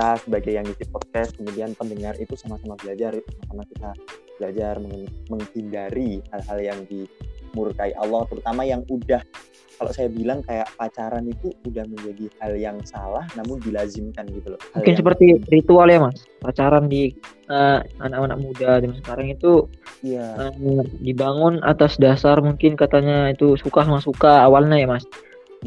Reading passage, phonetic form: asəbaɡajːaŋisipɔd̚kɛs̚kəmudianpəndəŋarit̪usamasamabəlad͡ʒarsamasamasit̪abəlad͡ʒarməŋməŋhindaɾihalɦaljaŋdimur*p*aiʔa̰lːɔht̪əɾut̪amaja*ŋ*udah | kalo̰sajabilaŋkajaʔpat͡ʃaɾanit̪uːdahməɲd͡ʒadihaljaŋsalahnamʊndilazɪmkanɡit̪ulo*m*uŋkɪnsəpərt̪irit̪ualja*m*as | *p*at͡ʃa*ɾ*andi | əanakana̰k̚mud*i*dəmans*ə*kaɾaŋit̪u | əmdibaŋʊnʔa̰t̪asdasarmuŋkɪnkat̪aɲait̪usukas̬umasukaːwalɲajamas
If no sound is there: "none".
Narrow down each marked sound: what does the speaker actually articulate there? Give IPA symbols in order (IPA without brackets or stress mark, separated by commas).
k, ŋ, m, m, p, ɾ, a, ə